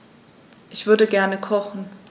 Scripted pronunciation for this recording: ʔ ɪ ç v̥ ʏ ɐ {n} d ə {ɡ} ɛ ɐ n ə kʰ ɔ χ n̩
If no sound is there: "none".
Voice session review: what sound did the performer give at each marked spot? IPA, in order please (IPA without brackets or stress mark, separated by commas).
none, ɡ